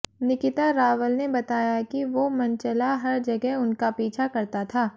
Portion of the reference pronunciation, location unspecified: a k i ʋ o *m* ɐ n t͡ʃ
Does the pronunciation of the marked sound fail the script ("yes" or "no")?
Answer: no